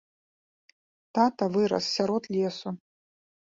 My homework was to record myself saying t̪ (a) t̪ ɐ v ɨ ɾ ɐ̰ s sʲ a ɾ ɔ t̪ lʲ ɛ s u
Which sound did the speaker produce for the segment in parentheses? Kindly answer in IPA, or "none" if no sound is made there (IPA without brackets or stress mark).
a